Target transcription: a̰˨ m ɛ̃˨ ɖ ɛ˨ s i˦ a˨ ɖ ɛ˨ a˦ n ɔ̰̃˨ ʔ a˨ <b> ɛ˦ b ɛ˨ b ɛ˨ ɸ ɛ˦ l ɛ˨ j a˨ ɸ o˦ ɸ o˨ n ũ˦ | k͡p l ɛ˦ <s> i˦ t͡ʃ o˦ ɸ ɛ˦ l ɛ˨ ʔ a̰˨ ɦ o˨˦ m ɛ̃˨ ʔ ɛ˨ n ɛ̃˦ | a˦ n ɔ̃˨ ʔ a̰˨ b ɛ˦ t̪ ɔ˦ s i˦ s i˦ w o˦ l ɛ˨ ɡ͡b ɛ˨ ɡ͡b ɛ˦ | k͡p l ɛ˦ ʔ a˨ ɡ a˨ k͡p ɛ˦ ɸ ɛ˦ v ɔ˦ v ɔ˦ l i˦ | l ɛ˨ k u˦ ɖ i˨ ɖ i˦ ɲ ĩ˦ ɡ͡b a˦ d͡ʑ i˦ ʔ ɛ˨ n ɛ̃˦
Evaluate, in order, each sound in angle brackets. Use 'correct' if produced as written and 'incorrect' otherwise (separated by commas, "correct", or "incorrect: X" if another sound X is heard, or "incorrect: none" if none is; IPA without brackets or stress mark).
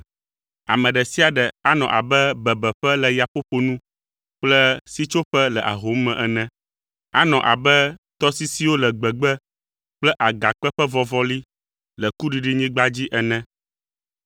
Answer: correct, correct